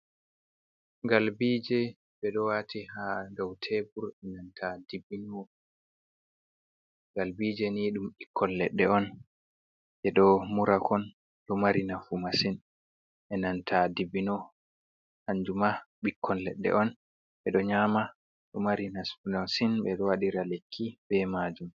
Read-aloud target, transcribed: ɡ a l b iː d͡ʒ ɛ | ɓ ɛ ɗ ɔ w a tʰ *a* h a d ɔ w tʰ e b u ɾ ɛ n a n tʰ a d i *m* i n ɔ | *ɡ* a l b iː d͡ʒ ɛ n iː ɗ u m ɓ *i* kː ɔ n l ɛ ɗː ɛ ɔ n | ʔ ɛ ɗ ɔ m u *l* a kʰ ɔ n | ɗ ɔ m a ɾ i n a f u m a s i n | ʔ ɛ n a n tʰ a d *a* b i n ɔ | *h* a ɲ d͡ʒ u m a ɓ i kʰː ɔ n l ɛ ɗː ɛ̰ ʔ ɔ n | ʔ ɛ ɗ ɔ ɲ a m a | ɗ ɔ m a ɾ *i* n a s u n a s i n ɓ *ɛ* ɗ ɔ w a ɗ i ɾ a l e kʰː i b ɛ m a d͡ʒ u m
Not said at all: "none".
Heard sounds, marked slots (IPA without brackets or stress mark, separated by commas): i, b, ɡ, i, ɾ, i, h, i, ɛ